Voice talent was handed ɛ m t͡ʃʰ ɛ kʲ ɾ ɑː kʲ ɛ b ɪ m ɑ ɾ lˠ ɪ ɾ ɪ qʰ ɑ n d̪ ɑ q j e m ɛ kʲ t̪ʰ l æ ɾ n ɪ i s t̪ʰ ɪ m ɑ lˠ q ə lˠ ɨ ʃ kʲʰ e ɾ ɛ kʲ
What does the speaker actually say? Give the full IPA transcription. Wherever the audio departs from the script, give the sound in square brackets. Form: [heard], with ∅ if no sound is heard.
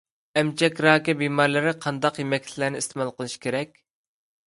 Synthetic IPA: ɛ m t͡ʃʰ ɛ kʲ ɾ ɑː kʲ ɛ b [i] m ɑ ɾ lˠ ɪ ɾ ɪ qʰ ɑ n d̪ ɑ q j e m ɛ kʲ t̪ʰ l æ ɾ n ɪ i s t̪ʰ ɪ m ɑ lˠ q ə lˠ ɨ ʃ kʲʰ e ɾ ɛ kʲ

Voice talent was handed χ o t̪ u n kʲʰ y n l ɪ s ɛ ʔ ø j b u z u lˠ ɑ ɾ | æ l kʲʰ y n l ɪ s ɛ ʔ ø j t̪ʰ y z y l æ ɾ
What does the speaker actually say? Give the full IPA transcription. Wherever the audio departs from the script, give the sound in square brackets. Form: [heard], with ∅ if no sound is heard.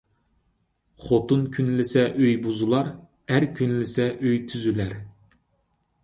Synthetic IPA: χ o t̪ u n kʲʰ y n l ɪ s ɛ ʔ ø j b u z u lˠ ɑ ɾ | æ [ɾ] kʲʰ y n l ɪ s ɛ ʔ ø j t̪ʰ y z y l æ ɾ

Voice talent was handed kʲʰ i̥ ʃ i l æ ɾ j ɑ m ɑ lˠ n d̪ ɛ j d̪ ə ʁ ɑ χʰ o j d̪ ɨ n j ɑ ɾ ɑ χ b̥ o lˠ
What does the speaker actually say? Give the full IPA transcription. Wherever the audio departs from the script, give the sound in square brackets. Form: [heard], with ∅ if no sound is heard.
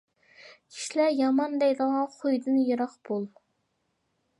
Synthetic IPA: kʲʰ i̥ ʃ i l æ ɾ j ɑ m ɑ [∅] n d̪ ɛ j d̪ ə ʁ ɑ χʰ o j d̪ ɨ n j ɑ ɾ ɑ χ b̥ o lˠ

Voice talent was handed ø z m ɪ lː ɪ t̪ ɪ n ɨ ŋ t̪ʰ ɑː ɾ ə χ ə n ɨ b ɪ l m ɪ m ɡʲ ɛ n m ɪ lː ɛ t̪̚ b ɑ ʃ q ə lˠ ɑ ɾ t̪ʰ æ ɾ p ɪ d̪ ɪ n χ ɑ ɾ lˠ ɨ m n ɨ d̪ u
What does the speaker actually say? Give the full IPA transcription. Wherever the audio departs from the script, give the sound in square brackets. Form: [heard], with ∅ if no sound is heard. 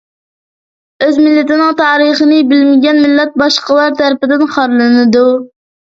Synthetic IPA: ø z m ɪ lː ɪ t̪ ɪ n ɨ ŋ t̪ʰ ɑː ɾ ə χ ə n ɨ b ɪ l m ɪ [∅] ɡʲ ɛ n m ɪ lː ɛ t̪̚ b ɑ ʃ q ə lˠ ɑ ɾ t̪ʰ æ ɾ p ɪ d̪ ɪ n χ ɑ ɾ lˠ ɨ [∅] n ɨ d̪ u

